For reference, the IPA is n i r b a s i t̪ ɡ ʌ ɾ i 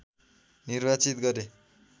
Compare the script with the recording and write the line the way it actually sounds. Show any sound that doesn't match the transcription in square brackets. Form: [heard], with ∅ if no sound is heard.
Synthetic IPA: n i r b a [t͡s] i t̪ ɡ ʌ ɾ [e]